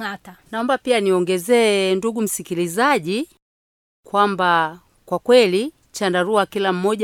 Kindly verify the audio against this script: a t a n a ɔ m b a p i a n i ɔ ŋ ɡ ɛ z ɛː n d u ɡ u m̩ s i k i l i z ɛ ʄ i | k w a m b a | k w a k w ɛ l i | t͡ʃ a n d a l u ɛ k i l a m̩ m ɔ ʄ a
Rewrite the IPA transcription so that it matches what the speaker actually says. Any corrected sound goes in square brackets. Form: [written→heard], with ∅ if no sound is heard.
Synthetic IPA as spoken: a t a n a ɔ m b a p i a n i ɔ ŋ ɡ ɛ z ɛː n d u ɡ u m̩ s i k i l i z [ɛ→a] ʄ i | k w a m b a | k w a k w ɛ l i | t͡ʃ a n d a [l→ɾ] u [ɛ→a] k i l a m̩ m ɔ ʄ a